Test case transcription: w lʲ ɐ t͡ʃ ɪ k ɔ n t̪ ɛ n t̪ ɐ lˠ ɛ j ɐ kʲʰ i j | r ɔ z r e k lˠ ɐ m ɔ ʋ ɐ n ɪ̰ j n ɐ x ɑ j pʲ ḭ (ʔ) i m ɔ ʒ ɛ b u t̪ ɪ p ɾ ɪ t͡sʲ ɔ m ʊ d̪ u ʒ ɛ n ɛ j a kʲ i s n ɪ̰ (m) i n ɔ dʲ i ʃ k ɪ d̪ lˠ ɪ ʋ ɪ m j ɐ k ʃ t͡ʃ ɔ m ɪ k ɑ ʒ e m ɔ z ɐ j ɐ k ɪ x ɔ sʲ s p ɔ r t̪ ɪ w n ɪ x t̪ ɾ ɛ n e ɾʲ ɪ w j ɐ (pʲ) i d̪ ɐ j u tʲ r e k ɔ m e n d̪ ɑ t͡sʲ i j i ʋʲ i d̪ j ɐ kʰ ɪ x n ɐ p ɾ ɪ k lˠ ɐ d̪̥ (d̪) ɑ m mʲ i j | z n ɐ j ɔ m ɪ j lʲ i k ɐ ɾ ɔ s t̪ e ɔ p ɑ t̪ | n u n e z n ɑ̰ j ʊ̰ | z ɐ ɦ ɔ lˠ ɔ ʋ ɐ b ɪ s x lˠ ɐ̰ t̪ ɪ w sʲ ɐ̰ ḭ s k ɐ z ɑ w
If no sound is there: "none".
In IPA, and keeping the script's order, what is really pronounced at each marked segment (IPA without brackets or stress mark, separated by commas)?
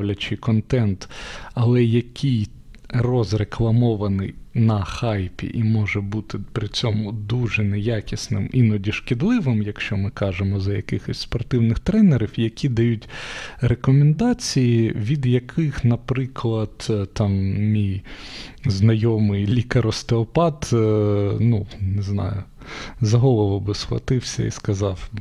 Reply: ʔ, m, kʲ, t̪